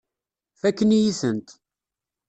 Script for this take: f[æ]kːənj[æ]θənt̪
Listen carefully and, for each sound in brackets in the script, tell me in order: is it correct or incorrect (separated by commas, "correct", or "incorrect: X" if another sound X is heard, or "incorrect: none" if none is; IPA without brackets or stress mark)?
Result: correct, incorrect: i